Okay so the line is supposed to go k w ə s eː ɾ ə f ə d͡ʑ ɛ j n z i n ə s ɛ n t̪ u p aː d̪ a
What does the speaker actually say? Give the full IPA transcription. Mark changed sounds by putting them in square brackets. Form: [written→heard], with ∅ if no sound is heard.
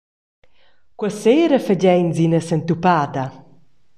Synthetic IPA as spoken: k w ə s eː ɾ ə f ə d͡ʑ ɛ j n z i n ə s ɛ n t̪ u p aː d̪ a